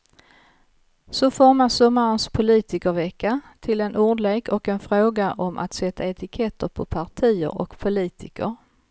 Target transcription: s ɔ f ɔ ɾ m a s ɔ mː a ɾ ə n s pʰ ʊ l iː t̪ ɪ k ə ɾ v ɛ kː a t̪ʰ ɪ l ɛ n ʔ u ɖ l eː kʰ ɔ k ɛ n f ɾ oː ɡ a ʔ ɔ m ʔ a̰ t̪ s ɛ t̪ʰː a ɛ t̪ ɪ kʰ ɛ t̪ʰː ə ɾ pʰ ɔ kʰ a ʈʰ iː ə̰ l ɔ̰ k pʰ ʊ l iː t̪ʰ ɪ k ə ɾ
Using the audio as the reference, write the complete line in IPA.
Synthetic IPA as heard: s ɔ f ɔ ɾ m a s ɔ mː a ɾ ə n s pʰ ʊ l iː t̪ ɪ k ə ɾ v ɛ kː a t̪ʰ ɪ l ɛ n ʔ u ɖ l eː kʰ ɔ k ɛ n f ɾ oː ɡ a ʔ ɔ m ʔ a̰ t̪ s ɛ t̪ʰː a ɛ t̪ ɪ kʰ ɛ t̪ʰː ə ɾ pʰ ɔ pʰ a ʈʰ iː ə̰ ɾ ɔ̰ k pʰ ʊ l iː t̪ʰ ɪ k ə ɾ